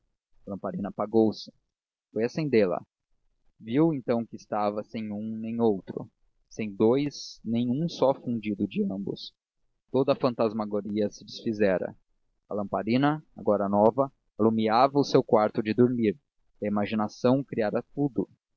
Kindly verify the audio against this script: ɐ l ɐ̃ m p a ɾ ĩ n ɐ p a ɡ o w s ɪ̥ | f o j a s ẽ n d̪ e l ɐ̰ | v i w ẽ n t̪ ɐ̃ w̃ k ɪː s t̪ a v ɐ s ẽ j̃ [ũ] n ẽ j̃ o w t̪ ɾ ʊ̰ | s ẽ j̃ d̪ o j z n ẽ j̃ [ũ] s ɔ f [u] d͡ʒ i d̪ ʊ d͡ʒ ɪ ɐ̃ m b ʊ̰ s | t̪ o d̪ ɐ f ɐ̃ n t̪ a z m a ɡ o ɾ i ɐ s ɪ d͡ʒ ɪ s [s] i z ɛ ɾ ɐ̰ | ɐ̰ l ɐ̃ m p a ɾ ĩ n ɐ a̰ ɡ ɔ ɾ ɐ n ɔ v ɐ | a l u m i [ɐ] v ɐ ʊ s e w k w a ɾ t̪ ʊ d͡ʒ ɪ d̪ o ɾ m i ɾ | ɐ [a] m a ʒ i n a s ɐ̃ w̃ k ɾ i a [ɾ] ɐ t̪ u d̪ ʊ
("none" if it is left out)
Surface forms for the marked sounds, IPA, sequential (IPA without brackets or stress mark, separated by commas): ũ, ũ, ũ, f, a, i, ɾ